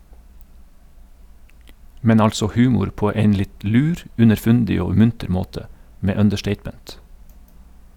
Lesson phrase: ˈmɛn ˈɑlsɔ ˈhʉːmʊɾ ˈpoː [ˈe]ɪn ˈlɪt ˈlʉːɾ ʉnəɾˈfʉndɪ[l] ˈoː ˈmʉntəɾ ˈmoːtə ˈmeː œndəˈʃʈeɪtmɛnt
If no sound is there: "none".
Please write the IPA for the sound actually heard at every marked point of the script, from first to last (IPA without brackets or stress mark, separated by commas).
e, none